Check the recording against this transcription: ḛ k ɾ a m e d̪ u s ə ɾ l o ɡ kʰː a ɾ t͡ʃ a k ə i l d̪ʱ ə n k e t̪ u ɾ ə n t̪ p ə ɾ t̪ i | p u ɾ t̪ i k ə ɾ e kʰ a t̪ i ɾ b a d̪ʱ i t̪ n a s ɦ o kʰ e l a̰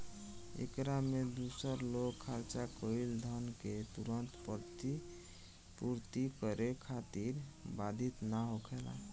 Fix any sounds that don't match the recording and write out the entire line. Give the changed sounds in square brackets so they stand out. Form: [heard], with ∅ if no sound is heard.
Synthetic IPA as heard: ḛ k ɾ a m e d̪ u s ə ɾ l o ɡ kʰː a ɾ t͡ʃ a k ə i l d̪ʱ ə n k e t̪ u ɾ ə n t̪ p ə ɾ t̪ i | p u ɾ t̪ i k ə ɾ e kʰ a t̪ i ɾ b a d̪ʱ i t̪ n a [∅] ɦ o kʰ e l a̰

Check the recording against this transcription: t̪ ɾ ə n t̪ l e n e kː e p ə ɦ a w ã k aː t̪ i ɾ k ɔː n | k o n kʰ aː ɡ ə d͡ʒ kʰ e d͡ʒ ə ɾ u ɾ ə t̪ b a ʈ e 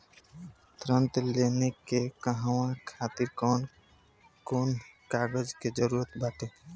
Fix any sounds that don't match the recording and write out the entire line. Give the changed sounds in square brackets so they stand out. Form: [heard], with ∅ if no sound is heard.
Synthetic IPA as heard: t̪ ɾ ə n t̪ l e n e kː e [k] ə ɦ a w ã [kʰ] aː t̪ i ɾ k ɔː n | k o n [k] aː ɡ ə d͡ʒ [k] e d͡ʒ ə ɾ u ɾ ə t̪ b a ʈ e

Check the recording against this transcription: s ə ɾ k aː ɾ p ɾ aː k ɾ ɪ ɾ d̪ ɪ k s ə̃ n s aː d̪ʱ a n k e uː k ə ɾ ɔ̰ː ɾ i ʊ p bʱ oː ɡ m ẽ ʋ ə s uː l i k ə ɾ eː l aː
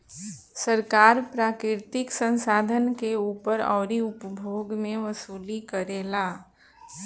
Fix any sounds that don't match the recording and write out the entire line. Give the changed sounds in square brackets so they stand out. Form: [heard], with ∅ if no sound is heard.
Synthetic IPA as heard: s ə ɾ k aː ɾ p ɾ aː k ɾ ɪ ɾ [t̪] ɪ k s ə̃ n s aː d̪ʱ [ə] n k e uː [p] ə ɾ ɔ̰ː ɾ i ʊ p bʱ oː ɡ m ẽ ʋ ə s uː l i k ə ɾ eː l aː

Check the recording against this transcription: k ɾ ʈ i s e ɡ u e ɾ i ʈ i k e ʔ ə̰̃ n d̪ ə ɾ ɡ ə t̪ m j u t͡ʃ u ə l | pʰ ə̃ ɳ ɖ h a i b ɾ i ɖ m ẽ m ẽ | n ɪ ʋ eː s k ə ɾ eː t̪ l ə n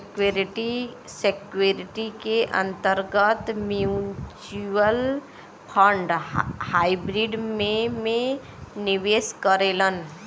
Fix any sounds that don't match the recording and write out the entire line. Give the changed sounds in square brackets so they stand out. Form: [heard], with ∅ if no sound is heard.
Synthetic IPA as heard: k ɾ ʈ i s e [k] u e ɾ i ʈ i k e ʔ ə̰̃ n [t̪] ə ɾ ɡ ə t̪ m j u t͡ʃ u ə l | pʰ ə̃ ɳ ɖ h a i b ɾ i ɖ m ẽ m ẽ | n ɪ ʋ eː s k ə ɾ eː [∅] l ə n

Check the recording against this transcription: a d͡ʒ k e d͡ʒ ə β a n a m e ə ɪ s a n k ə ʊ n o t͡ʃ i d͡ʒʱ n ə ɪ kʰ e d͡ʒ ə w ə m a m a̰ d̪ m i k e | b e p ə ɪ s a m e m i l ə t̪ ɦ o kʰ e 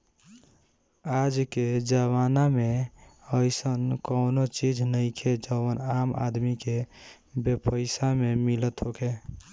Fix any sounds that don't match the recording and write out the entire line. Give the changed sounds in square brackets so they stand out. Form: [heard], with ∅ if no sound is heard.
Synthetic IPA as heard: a d͡ʒ k e d͡ʒ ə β a n a m e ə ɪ s [ə] n k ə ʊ n o t͡ʃ i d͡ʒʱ n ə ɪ kʰ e d͡ʒ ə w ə [n] a m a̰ d̪ m i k e | b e p ə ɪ s a m e m i l ə t̪ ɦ o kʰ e

